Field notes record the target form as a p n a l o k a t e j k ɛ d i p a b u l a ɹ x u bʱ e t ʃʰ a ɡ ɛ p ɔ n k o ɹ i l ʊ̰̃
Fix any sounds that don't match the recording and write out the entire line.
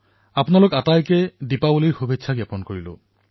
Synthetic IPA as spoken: a p n a l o k a t a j k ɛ d i p a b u l i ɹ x u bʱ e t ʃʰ a ɡ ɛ p ɔ n k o ɹ i l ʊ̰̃